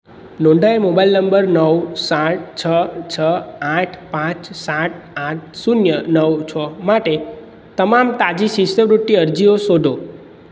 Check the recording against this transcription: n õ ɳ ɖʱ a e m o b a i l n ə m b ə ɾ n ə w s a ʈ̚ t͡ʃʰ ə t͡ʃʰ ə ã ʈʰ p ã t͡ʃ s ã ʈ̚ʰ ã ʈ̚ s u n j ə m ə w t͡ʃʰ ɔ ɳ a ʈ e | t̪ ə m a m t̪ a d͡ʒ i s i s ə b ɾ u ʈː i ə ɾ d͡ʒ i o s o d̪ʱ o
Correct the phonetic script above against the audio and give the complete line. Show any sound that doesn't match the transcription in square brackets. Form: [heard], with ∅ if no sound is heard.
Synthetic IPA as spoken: n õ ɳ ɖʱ a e m o b a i l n ə m b ə ɾ n ə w s a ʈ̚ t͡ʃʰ ə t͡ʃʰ ə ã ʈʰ p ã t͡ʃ s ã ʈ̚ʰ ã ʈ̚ s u n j ə [n] ə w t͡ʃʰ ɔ [m] a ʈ e | t̪ ə m a m t̪ a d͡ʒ i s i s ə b ɾ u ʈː i ə ɾ d͡ʒ i o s o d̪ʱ o